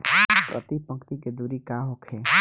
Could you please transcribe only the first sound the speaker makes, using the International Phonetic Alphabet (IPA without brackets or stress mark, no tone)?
p